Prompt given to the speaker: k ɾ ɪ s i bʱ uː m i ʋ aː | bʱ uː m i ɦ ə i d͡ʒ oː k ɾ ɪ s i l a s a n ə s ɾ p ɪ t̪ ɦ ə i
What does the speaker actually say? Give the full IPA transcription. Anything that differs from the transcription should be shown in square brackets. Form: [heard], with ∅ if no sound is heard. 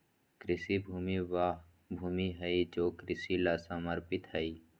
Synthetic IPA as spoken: k ɾ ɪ s i bʱ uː m i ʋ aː | bʱ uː m i ɦ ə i d͡ʒ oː k ɾ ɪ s i l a s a [m] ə [∅] ɾ p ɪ t̪ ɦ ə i